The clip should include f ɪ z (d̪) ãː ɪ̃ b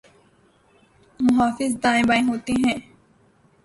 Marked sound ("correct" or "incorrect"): correct